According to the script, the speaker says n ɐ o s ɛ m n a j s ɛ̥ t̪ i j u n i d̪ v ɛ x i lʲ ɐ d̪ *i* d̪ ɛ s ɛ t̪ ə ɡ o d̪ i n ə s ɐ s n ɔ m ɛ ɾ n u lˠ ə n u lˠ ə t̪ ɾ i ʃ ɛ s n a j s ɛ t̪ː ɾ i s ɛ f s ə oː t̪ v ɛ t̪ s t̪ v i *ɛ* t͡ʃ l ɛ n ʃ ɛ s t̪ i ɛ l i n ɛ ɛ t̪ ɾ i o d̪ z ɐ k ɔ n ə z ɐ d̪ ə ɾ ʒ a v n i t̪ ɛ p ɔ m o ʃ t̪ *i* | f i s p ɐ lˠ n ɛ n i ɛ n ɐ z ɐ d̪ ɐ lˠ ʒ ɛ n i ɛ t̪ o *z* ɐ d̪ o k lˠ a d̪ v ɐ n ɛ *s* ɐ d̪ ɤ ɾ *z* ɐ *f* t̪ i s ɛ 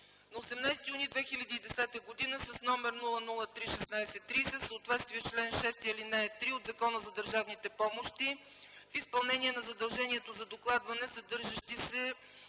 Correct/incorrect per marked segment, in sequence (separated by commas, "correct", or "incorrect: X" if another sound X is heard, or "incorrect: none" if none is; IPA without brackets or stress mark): incorrect: iː, correct, correct, correct, correct, incorrect: ʒ, incorrect: ʃ